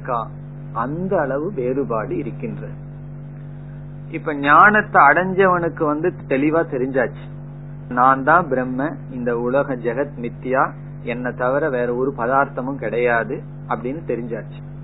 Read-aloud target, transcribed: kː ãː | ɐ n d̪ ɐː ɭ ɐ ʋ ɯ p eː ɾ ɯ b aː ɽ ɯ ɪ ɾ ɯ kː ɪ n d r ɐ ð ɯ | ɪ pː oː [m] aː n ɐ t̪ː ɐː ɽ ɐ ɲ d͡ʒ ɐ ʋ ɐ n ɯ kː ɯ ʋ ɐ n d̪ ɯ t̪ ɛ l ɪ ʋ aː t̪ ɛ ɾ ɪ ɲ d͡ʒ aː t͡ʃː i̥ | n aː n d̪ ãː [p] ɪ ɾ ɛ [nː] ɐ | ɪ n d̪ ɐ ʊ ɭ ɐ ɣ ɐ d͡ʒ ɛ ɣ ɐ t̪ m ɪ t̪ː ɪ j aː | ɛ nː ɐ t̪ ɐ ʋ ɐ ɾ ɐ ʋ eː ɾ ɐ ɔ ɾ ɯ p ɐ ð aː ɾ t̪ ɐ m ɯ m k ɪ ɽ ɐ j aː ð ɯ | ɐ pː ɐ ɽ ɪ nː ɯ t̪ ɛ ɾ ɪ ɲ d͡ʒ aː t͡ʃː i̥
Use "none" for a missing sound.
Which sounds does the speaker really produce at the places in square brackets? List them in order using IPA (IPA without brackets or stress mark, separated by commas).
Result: ɲ, b, mː